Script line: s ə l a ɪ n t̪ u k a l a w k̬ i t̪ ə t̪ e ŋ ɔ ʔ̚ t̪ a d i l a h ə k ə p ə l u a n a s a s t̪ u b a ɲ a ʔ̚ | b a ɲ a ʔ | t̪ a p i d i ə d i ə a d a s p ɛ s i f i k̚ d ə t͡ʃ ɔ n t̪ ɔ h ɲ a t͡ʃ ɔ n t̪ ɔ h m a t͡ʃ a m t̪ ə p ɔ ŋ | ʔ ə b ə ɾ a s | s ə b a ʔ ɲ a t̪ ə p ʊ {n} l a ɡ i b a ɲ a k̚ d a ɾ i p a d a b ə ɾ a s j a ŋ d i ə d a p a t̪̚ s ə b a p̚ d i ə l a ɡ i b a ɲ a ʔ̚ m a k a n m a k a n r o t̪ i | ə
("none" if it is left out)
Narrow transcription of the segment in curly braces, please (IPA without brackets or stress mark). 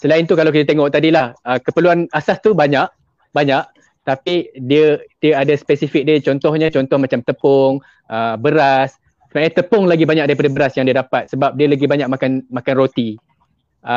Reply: ŋ